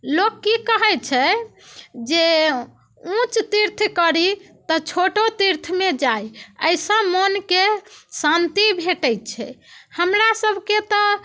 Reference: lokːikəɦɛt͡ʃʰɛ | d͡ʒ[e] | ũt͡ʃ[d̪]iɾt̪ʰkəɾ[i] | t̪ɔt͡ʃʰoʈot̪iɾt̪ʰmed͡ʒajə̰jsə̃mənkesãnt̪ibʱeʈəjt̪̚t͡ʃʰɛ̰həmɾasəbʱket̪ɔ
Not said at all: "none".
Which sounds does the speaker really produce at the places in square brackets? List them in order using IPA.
e, t̪, i

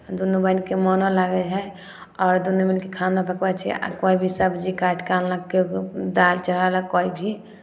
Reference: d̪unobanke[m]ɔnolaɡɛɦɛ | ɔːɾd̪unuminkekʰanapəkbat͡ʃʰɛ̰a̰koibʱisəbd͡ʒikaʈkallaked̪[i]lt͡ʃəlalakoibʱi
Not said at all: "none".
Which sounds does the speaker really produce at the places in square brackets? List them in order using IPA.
m, a

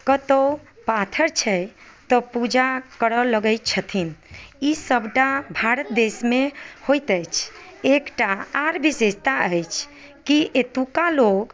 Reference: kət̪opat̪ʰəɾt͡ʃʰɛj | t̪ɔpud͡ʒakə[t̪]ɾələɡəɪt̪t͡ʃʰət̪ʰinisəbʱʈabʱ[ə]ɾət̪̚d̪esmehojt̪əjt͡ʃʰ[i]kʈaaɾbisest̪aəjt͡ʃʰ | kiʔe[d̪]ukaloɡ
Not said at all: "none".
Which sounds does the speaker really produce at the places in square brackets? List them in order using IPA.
none, a, e, t̪

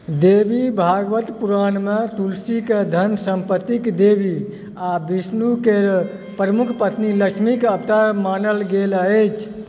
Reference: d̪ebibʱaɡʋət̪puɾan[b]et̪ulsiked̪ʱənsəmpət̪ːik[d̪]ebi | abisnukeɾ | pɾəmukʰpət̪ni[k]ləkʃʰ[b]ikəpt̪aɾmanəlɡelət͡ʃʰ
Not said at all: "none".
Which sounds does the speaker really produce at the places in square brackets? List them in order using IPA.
m, d̪, none, m

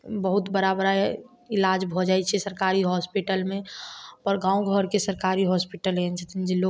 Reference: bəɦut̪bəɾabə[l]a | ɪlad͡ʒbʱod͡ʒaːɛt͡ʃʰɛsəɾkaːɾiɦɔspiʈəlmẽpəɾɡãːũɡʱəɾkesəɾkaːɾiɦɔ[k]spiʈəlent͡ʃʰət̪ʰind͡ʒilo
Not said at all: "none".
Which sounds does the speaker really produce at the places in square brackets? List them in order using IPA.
ɾ, none

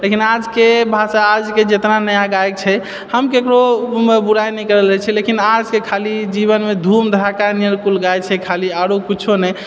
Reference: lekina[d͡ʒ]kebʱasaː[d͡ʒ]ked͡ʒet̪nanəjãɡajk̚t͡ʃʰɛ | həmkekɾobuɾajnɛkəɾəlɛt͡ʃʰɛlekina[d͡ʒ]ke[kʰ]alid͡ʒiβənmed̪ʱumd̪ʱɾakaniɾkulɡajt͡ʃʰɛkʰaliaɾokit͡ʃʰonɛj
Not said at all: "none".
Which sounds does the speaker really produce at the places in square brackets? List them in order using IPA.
d͡ʒ, d͡ʒ, d͡ʒ, kʰ

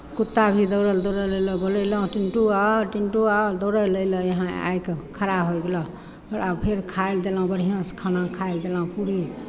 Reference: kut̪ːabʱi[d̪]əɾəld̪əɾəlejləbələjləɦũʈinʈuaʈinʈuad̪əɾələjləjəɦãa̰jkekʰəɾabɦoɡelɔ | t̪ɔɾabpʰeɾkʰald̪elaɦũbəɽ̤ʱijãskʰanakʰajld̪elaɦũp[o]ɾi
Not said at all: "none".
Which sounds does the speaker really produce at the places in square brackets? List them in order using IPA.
d̪, u

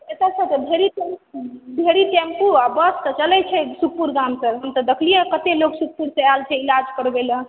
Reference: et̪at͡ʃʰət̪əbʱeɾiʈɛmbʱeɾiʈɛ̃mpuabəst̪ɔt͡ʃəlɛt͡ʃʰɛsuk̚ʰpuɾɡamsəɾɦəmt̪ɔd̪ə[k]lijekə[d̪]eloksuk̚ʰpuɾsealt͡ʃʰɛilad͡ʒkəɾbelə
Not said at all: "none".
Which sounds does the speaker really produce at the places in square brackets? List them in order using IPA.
kʰ, t̪

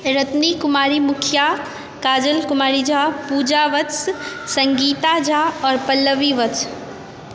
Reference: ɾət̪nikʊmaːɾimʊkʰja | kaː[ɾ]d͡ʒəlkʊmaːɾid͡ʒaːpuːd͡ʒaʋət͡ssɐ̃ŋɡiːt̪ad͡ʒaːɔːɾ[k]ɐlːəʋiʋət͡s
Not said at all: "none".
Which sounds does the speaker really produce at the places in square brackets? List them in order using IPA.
none, p

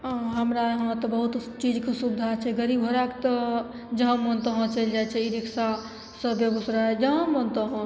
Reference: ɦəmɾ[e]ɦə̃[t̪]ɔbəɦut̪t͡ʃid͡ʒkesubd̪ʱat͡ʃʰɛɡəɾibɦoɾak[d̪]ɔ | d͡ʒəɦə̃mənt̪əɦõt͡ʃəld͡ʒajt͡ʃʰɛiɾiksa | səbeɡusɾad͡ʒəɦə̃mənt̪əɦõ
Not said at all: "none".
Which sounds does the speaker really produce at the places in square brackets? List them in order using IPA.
a, t̪, t̪

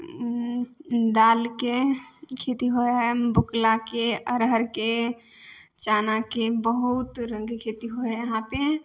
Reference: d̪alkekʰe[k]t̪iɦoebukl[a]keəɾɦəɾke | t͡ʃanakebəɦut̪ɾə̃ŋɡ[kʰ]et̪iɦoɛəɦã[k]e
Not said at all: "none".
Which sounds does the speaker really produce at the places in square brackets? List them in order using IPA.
none, a, kʰ, p

